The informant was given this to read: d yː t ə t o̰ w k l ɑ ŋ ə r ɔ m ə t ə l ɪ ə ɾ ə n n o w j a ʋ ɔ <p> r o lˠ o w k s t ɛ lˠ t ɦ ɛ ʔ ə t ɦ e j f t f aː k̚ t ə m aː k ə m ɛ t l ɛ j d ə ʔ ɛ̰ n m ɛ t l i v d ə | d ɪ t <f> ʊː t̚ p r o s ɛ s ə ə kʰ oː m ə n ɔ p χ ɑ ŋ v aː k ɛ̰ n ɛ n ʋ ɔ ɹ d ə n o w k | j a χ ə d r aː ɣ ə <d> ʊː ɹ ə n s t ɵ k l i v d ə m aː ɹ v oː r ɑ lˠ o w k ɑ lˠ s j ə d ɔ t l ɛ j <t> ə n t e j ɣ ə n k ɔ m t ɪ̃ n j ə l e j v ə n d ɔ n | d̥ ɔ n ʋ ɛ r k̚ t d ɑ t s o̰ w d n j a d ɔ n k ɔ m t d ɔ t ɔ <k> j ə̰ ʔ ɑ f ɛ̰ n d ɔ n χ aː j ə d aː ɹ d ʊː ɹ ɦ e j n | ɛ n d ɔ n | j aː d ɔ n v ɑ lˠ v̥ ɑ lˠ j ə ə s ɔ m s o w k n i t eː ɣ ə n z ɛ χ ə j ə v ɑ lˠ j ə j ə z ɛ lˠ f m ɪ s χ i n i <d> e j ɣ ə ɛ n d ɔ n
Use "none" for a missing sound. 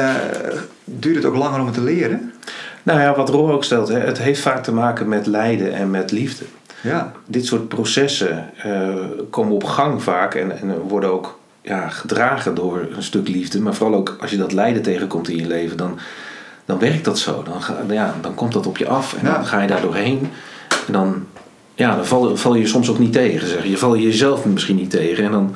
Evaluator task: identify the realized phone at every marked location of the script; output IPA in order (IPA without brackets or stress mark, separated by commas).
t, s, d, d, p, t